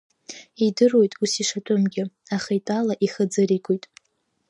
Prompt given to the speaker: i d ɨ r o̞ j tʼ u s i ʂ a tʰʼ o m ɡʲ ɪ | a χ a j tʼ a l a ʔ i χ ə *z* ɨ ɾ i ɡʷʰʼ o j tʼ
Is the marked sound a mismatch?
yes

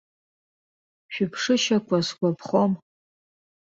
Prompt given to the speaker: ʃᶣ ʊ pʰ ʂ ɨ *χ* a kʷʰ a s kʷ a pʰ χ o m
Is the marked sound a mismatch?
yes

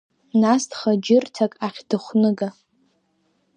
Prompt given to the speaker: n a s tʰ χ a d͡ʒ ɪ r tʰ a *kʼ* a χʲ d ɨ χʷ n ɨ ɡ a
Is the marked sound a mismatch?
no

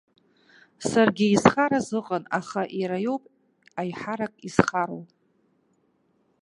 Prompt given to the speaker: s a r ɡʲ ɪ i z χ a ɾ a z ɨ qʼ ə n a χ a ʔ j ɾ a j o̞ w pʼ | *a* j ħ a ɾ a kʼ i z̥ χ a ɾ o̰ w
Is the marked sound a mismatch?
no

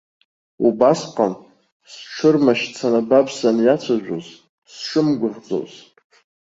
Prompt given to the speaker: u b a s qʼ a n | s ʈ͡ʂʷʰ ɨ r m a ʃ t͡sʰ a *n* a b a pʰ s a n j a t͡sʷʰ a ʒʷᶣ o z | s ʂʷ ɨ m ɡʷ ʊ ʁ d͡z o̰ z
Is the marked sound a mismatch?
no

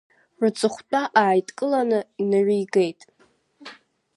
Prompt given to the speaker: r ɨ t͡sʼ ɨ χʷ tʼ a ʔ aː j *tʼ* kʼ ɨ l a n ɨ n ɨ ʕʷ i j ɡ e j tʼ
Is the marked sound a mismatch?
no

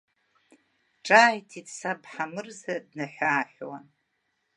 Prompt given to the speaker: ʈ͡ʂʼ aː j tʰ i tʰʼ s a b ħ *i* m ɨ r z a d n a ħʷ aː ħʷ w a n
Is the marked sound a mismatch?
yes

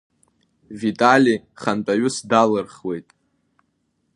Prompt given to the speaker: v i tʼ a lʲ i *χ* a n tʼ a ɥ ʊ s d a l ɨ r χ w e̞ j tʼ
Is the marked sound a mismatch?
no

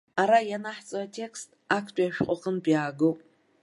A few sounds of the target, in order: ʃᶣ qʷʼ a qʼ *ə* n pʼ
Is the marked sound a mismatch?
no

